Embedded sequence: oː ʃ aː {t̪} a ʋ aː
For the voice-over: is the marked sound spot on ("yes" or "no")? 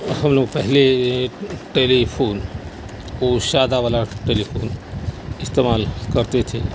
no